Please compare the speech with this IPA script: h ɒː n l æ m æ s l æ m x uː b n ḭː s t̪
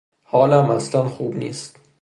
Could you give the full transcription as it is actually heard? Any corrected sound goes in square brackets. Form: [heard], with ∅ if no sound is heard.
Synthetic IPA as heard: h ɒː [∅] l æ m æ s l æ [n] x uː b n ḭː s t̪